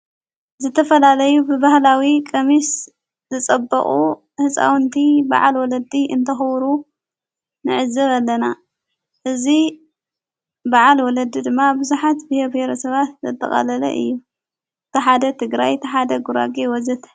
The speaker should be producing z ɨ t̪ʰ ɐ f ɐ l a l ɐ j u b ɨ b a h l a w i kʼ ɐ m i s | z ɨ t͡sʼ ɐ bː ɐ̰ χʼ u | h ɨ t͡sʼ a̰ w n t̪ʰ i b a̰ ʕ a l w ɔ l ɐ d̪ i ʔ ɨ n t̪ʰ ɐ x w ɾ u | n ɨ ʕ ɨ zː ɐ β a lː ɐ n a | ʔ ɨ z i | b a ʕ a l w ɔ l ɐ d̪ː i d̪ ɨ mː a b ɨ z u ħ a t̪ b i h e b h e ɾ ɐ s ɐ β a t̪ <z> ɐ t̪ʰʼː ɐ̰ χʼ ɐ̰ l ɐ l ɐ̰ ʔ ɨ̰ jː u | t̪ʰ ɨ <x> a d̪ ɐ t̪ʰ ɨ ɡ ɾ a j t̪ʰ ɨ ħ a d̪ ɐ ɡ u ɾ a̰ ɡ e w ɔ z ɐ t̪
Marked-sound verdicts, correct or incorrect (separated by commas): correct, incorrect